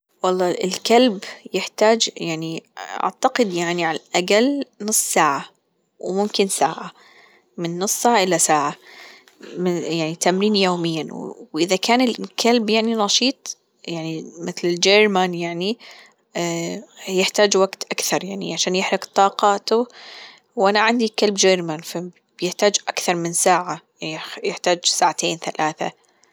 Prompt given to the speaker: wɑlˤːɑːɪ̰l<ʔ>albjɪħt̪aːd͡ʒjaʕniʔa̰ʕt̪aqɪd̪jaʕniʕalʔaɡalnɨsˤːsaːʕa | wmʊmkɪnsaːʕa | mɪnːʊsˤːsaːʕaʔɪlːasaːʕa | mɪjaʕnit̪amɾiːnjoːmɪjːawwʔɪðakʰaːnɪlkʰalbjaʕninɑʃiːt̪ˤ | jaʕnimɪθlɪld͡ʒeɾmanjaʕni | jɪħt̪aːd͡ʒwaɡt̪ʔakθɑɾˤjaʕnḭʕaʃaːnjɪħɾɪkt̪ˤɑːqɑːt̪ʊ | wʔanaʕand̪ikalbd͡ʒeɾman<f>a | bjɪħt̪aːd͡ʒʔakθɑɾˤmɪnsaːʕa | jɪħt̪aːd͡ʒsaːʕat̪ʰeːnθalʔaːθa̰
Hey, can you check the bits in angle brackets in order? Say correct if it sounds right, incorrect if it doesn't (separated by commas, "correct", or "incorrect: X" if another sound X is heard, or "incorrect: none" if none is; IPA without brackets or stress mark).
incorrect: k, correct